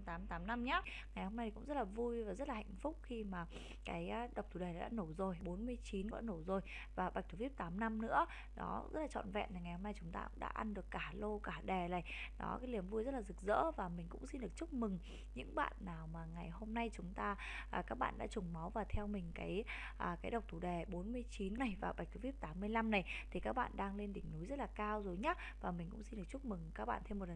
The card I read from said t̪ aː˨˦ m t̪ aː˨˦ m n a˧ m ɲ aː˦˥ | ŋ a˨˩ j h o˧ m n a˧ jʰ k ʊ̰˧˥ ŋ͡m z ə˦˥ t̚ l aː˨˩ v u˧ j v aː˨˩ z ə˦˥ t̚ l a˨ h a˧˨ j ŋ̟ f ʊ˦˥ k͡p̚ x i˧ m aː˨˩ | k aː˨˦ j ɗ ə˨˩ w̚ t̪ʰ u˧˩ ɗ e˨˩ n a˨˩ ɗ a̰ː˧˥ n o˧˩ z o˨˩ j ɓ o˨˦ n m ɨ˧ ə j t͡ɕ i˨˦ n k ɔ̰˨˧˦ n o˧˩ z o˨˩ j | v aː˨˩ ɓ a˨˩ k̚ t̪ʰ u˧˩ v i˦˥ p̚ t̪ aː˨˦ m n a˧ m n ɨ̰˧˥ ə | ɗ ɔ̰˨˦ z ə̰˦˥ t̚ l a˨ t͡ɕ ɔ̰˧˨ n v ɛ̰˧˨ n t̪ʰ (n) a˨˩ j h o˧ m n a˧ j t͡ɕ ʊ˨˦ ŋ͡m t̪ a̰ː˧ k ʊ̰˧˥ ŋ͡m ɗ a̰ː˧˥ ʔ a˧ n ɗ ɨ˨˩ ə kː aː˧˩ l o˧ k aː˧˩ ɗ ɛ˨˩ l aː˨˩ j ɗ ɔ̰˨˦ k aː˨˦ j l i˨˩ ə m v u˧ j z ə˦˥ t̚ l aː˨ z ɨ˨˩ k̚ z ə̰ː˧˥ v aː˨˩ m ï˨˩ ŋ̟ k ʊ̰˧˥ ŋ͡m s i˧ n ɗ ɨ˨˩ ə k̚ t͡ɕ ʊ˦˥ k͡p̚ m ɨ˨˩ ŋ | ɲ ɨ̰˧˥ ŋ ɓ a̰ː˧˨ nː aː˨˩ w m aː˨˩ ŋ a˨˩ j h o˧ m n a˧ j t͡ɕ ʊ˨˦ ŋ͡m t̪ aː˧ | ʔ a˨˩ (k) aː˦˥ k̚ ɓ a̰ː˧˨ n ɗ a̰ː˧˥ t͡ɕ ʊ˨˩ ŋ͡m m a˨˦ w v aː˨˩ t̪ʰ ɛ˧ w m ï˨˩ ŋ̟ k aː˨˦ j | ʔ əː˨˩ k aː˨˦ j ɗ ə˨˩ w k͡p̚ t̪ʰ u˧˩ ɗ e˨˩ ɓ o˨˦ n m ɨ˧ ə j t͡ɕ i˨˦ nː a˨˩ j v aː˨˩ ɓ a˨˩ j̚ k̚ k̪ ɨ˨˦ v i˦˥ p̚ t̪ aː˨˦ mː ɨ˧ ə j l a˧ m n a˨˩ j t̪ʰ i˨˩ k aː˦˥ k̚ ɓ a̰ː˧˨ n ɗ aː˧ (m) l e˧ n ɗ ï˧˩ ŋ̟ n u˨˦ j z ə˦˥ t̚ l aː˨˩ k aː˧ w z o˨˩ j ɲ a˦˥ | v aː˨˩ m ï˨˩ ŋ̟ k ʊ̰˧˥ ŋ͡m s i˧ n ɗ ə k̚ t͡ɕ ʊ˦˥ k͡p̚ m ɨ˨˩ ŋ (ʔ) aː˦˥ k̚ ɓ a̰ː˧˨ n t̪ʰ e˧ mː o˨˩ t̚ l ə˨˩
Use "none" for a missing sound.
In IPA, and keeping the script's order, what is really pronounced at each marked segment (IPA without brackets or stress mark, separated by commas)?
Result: ŋ, k, ŋ, k